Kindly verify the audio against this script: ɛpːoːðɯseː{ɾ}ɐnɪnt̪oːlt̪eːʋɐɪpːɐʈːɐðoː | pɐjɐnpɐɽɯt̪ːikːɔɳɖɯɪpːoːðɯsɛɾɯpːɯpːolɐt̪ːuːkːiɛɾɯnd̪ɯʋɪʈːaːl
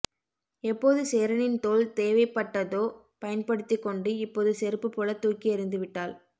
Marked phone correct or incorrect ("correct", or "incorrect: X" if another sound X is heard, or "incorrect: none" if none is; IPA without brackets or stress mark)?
correct